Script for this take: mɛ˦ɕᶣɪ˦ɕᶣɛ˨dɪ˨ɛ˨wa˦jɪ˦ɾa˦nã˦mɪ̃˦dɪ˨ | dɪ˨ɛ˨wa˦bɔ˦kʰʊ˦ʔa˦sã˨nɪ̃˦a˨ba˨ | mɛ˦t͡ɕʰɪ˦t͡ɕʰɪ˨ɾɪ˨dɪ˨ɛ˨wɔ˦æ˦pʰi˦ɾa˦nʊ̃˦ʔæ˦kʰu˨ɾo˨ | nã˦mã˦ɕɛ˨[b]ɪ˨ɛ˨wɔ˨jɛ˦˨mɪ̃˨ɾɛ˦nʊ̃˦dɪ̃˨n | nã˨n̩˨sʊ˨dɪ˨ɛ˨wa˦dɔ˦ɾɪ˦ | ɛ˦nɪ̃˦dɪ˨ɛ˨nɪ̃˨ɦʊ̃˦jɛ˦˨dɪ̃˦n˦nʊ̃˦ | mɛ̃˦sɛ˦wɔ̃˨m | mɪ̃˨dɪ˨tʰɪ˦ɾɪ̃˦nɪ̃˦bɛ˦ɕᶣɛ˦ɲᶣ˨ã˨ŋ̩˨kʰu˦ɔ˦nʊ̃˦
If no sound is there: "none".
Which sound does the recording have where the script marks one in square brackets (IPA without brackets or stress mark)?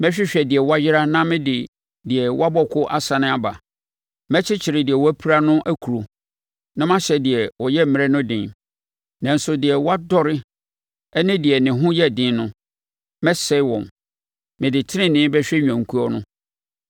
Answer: d